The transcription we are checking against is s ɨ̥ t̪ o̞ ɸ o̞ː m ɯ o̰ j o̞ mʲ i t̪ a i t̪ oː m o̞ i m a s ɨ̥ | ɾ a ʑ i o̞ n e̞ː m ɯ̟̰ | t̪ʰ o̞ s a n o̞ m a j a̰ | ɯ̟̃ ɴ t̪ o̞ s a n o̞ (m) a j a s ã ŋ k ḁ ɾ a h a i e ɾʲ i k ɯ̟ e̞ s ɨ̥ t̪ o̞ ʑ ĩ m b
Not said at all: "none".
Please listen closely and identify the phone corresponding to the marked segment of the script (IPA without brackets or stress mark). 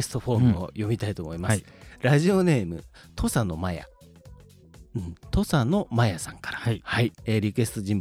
m